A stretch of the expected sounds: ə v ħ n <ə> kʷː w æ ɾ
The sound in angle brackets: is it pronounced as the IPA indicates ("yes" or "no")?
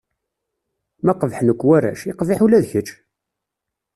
yes